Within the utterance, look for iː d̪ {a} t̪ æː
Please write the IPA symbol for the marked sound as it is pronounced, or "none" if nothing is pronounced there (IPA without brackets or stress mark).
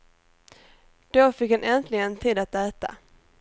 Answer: a